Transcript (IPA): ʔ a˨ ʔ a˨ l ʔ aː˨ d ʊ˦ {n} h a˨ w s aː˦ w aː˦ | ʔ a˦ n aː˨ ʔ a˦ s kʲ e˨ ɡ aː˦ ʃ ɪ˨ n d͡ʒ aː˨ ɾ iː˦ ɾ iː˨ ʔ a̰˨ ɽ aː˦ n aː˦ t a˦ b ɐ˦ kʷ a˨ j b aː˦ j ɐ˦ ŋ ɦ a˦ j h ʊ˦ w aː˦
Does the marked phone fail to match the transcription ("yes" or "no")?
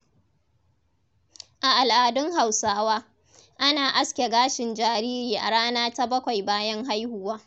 yes